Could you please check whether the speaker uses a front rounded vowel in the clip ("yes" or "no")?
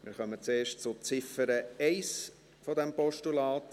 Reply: yes